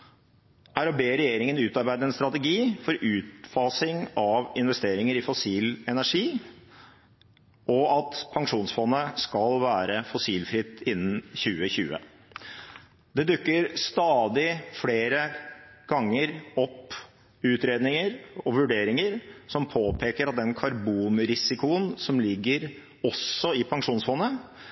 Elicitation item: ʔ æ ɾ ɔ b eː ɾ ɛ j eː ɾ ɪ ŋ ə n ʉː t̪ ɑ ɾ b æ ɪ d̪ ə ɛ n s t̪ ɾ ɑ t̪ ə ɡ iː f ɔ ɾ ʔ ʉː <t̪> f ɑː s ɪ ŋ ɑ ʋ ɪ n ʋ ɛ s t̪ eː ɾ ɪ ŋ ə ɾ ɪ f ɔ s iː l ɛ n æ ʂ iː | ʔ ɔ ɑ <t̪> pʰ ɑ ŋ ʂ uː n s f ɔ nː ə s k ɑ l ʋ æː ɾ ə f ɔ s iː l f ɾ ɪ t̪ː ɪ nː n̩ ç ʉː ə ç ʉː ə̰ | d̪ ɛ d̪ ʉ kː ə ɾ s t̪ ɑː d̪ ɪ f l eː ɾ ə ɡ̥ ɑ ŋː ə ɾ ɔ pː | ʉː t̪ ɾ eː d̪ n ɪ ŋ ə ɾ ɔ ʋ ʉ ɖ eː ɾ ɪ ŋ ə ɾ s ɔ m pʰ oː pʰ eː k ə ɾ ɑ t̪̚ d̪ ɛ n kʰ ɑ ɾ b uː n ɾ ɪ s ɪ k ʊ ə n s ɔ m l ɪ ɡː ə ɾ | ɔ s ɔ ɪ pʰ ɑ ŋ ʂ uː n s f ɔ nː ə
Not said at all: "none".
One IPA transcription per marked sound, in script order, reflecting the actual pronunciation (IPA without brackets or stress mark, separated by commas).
t̪, t̪